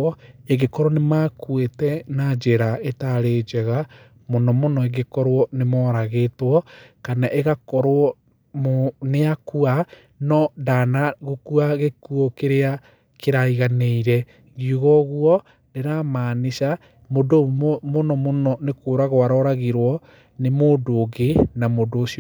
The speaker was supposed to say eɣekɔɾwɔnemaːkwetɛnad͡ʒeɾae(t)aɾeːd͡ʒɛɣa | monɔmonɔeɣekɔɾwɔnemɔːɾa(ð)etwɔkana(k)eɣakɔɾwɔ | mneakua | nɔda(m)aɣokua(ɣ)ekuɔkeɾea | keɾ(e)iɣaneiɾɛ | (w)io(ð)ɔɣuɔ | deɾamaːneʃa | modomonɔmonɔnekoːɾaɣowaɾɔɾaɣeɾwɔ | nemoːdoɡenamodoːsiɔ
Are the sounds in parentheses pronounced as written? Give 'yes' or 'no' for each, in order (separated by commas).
yes, no, no, no, yes, no, no, no